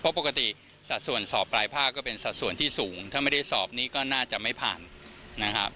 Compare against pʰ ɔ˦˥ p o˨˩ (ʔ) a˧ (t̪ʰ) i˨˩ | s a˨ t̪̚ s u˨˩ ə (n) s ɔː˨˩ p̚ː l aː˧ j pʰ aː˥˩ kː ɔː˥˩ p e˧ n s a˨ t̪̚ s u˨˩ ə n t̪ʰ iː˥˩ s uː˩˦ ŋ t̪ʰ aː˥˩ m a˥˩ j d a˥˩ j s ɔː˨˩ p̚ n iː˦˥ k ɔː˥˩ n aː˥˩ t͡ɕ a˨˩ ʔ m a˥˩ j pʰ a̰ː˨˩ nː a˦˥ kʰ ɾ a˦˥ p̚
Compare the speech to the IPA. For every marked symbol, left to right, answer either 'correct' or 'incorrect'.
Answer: incorrect, incorrect, correct

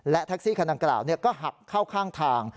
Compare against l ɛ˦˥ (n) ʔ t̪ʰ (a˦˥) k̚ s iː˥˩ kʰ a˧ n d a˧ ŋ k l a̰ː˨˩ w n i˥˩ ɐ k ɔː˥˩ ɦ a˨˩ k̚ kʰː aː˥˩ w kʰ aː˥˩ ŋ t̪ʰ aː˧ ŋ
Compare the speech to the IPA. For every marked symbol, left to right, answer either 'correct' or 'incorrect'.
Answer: incorrect, correct

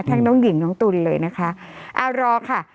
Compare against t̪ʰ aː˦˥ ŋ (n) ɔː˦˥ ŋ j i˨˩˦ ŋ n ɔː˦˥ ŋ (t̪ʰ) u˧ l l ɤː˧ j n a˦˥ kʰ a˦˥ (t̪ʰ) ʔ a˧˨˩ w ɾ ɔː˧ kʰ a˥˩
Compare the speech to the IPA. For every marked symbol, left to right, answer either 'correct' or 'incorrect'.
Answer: correct, incorrect, incorrect

